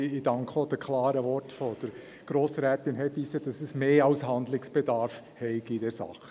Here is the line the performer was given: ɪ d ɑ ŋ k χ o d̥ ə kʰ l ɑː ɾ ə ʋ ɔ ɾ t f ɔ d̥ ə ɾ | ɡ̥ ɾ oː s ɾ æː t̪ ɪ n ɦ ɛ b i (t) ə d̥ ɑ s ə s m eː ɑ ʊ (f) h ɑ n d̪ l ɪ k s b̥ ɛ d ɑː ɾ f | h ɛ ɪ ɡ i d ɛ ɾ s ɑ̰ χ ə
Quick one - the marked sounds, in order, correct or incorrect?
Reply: incorrect: s, incorrect: s

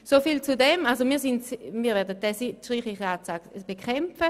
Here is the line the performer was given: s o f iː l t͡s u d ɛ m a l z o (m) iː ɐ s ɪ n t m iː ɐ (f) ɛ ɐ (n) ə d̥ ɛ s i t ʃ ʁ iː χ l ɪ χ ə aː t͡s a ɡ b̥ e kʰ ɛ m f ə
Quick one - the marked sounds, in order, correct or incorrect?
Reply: correct, incorrect: v, incorrect: d

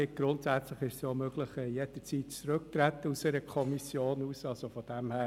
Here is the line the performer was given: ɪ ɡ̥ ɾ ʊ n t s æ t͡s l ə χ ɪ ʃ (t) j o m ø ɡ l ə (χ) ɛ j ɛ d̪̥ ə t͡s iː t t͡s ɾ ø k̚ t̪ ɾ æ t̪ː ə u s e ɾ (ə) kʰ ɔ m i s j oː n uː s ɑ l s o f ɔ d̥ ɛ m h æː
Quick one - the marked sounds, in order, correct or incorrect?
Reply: incorrect: s, correct, correct

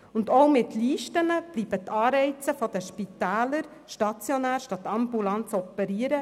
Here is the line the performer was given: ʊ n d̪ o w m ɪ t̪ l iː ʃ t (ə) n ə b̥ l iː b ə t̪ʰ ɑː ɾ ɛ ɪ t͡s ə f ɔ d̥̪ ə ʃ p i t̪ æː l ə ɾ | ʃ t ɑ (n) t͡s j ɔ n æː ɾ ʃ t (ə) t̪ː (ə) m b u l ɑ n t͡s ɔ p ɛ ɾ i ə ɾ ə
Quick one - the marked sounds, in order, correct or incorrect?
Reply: correct, incorrect: none, incorrect: ɑ, incorrect: ɑ

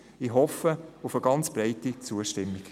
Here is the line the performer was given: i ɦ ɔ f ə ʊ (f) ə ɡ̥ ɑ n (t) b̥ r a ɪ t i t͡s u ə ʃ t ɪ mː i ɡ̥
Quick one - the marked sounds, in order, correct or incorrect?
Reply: correct, incorrect: t͡s

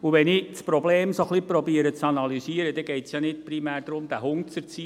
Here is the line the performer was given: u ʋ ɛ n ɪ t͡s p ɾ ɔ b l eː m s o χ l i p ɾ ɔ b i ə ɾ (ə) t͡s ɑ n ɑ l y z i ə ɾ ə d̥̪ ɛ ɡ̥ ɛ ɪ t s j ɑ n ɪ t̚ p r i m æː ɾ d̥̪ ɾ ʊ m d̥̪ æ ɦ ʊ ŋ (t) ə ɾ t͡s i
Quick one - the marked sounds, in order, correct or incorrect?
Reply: correct, incorrect: t͡s

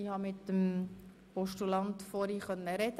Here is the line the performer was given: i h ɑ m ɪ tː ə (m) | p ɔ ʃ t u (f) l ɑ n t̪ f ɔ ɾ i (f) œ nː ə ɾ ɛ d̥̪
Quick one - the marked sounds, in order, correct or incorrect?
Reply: correct, incorrect: none, incorrect: χ

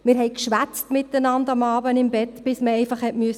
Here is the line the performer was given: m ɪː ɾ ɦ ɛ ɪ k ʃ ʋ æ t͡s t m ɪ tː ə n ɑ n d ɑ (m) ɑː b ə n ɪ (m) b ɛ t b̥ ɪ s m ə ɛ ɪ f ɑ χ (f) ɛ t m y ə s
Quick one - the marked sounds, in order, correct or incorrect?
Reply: correct, correct, incorrect: h

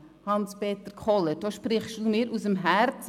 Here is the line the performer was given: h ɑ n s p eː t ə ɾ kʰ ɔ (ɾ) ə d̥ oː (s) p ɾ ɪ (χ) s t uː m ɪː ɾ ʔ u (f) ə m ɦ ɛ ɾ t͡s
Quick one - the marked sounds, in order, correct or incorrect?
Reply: incorrect: l, incorrect: ʃ, correct, incorrect: s

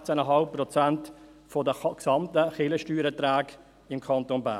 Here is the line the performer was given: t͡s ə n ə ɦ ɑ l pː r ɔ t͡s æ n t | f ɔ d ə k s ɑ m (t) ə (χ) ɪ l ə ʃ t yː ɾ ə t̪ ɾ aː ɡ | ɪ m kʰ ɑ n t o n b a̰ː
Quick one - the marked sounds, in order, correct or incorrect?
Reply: correct, correct

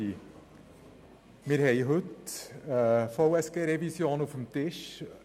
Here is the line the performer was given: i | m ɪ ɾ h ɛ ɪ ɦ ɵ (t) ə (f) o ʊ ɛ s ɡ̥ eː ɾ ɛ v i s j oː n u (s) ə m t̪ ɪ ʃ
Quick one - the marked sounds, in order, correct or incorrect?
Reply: correct, correct, incorrect: f

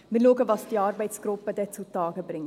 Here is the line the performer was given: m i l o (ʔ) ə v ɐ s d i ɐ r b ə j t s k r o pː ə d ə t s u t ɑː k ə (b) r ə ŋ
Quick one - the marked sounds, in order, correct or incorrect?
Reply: incorrect: k, correct

